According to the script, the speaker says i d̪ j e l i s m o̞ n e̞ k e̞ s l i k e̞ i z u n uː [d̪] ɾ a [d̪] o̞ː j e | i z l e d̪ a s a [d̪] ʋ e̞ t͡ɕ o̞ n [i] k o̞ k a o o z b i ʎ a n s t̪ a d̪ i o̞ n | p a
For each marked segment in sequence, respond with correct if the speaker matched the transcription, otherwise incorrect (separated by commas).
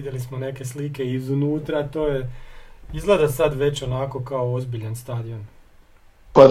incorrect, incorrect, correct, incorrect